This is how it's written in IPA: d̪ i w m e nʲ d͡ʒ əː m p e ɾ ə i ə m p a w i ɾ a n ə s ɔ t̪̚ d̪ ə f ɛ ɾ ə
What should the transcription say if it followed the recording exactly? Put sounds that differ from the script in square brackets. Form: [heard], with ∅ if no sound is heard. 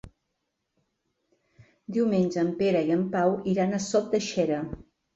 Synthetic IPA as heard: d̪ i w m e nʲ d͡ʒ əː m p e ɾ ə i ə m p a w i ɾ a n ə s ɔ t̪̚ d̪ ə [ʃ] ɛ ɾ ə